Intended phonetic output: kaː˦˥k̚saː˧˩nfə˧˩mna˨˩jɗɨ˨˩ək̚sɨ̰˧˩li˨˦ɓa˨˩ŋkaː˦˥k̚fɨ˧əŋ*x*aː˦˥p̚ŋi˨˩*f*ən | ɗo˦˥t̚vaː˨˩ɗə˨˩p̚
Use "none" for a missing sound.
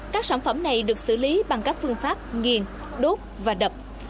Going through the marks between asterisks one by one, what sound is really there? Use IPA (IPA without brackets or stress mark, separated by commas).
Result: f, none